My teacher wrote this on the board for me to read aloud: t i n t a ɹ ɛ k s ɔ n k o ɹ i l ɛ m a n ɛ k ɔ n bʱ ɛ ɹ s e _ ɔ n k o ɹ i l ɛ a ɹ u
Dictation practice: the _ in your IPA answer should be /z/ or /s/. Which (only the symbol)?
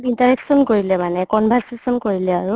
s